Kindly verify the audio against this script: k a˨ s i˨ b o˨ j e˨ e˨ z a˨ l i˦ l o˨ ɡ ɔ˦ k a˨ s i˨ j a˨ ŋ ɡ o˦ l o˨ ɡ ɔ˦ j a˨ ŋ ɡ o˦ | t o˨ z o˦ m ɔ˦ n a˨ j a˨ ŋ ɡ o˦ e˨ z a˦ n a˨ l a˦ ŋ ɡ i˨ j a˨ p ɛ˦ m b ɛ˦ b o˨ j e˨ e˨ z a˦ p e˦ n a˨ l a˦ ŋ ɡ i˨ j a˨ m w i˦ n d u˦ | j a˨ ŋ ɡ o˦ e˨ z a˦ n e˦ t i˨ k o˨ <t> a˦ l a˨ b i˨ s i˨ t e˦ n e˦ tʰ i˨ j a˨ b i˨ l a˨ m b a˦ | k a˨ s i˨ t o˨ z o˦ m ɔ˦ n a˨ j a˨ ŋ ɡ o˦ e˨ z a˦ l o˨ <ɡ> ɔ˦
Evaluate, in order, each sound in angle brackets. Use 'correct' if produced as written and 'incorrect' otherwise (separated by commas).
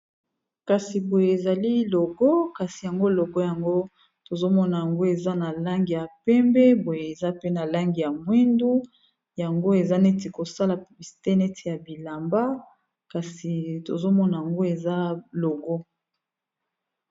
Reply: incorrect, correct